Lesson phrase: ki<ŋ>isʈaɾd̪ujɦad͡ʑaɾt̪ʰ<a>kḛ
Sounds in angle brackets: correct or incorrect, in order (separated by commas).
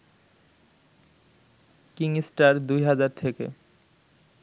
correct, incorrect